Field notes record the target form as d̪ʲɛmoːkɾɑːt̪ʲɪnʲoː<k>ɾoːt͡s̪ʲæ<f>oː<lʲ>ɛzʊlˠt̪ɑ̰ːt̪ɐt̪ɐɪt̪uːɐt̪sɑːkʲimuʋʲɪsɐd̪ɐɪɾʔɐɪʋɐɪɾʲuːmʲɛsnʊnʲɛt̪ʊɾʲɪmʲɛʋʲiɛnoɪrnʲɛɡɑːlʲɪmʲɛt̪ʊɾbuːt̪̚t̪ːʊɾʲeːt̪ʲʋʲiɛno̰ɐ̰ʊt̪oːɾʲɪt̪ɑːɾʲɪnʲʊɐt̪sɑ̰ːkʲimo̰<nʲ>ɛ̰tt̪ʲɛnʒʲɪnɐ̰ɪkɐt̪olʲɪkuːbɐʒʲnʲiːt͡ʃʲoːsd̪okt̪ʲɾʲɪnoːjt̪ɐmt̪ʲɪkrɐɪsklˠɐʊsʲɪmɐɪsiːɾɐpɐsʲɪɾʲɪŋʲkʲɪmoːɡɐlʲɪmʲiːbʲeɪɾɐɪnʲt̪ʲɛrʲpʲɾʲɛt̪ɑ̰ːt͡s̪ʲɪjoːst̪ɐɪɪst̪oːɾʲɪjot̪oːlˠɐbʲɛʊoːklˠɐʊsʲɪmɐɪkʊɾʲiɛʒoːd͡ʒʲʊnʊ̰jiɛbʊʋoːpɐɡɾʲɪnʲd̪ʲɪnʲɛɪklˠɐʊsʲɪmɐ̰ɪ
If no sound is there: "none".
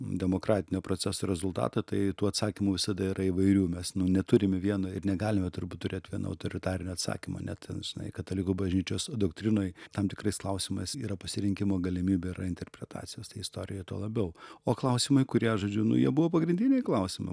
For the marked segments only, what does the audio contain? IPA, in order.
p, s, ɾʲ, nʲ

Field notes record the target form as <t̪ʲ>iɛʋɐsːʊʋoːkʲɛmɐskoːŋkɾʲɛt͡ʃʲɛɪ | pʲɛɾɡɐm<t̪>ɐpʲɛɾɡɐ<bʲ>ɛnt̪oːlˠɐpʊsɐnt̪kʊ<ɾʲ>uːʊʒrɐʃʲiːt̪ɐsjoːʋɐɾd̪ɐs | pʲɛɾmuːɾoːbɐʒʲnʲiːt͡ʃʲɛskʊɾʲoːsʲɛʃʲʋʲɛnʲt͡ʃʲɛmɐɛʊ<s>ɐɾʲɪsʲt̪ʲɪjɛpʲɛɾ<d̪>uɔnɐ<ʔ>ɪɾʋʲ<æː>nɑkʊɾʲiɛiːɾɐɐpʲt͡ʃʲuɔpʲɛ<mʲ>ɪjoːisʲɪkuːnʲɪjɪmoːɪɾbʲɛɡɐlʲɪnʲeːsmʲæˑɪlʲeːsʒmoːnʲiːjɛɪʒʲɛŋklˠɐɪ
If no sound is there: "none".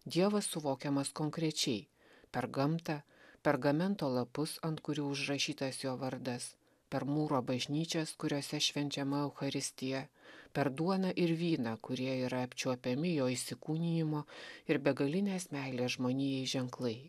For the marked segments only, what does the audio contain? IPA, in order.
d̪ʲ, t̪, mʲ, ɾʲ, x, d̪, ʔ, iː, mʲ

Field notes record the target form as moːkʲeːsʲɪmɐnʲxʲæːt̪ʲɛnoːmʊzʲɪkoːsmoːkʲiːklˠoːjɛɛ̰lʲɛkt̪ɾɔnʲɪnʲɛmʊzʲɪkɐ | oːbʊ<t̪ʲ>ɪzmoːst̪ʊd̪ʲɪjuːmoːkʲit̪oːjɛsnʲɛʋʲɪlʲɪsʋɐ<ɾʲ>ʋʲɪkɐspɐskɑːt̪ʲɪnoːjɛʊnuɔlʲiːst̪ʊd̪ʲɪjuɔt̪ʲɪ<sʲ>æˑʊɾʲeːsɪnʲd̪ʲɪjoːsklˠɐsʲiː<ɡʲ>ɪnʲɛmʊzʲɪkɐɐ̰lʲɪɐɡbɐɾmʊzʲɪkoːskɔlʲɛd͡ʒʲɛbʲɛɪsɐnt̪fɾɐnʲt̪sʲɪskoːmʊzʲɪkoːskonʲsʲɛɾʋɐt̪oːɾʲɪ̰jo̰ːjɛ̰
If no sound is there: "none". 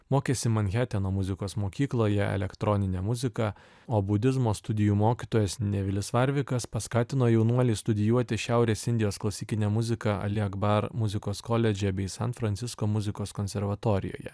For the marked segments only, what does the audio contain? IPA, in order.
d̪ʲ, ɾʲ, ʃʲ, kʲ

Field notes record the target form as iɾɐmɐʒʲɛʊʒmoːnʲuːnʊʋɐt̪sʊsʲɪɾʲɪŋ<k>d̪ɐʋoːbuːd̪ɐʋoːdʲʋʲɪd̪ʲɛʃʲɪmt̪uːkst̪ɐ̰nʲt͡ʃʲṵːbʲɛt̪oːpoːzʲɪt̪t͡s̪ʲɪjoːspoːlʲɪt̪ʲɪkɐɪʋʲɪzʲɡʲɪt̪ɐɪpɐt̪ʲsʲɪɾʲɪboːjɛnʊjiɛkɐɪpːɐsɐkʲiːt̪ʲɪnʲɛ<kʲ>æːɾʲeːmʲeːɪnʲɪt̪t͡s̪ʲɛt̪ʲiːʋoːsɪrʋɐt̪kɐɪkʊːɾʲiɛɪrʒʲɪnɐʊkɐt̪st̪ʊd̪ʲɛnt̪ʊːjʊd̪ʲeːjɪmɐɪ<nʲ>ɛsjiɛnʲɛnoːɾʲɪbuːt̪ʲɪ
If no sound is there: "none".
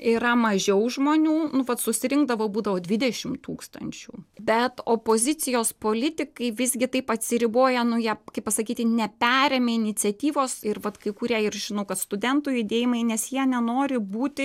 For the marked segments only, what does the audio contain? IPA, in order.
ɡ, pʲ, nʲ

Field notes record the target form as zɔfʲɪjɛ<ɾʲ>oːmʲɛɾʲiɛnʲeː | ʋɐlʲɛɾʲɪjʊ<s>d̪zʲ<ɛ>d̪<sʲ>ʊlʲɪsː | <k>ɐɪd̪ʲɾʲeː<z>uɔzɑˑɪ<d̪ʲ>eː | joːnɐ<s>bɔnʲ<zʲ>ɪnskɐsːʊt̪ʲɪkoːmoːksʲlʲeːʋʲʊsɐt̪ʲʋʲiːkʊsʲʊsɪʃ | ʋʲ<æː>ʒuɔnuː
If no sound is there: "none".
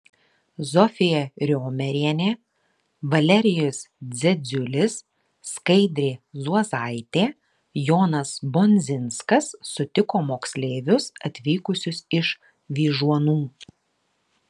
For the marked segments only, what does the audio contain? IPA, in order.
ɾʲ, s, ɛ, zʲ, k, z, t̪ʲ, s, zʲ, iː

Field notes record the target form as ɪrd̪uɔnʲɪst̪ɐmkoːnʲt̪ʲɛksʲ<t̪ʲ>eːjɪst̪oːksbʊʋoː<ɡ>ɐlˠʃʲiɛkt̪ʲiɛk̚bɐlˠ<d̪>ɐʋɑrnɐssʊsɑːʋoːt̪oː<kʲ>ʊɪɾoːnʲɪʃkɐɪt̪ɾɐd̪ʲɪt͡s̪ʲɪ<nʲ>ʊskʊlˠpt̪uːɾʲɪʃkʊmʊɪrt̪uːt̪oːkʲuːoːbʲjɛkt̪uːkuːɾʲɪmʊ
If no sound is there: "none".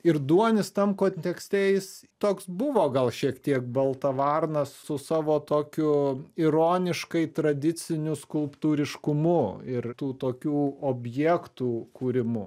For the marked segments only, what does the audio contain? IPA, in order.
t̪ʲ, ɡ, t̪, kʲ, nʲ

